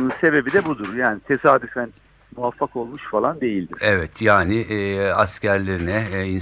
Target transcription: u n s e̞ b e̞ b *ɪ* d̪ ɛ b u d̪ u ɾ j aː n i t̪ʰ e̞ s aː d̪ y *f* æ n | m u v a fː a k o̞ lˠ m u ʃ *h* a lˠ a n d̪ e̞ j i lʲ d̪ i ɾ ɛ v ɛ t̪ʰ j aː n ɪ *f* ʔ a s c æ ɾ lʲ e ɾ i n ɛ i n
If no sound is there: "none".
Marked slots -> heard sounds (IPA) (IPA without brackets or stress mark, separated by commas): i, f, f, none